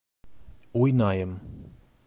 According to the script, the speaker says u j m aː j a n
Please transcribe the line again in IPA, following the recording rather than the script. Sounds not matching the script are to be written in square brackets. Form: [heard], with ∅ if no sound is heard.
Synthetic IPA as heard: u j [n] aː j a [m]